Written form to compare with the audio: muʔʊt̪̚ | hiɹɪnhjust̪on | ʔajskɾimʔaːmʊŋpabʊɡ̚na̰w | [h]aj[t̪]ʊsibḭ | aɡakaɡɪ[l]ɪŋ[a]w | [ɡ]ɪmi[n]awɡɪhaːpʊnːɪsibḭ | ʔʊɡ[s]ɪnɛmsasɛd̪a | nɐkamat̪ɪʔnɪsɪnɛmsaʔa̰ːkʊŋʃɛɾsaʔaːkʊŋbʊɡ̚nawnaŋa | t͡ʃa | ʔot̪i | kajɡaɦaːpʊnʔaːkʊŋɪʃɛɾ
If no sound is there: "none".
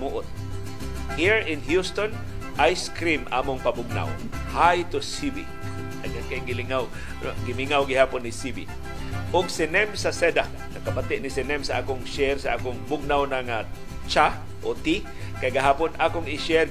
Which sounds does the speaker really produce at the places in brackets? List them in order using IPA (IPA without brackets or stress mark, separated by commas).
h, t̪, l, a, ɡ, ŋ, s